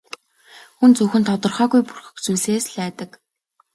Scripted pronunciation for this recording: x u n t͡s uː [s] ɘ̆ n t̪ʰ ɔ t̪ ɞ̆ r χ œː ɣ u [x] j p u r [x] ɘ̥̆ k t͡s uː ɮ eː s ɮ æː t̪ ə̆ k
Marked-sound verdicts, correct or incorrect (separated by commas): incorrect, incorrect, correct